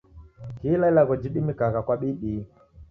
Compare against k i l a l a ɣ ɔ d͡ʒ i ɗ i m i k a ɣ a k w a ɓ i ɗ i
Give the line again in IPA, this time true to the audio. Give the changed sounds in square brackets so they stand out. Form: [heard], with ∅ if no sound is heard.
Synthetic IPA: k i l a l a ɣ ɔ d͡ʒ i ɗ i m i k a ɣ a k w a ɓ i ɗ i